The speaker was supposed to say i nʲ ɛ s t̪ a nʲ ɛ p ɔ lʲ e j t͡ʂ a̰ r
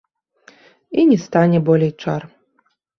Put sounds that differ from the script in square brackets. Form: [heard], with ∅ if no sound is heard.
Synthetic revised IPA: i nʲ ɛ s t̪ a nʲ ɛ [b] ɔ lʲ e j t͡ʂ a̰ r